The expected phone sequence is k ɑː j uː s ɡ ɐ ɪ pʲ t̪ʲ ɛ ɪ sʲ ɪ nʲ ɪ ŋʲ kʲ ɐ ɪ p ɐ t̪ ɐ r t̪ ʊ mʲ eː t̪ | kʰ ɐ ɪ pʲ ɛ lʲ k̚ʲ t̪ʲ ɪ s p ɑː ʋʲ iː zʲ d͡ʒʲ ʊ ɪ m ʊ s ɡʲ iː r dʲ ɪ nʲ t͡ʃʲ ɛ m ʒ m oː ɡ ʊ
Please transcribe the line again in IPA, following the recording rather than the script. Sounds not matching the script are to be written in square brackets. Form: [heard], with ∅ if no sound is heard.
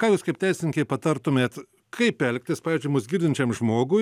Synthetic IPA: k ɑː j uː s [k] ɐ ɪ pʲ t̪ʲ ɛ ɪ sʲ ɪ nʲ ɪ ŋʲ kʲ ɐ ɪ p ɐ t̪ ɐ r t̪ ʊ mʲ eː t̪ | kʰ ɐ ɪ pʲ ɛ lʲ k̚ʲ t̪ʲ ɪ s p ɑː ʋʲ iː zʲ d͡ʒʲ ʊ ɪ m ʊ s ɡʲ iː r dʲ ɪ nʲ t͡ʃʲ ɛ m ʒ m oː ɡ ʊ